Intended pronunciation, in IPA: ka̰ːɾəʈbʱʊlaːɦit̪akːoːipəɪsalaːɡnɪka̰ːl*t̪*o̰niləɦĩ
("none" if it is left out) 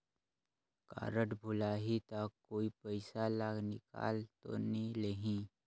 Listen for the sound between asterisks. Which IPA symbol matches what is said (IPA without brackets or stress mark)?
t̪